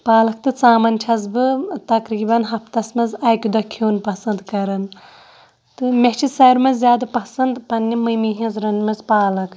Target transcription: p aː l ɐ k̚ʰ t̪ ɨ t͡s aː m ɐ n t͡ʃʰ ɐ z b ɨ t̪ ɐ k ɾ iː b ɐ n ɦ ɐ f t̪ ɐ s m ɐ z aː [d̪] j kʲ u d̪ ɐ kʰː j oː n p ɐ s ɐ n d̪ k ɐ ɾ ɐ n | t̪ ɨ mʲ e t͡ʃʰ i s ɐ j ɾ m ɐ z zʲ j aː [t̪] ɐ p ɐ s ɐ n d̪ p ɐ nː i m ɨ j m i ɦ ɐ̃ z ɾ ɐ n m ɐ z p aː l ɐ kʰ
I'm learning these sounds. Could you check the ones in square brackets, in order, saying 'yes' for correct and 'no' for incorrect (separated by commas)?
no, no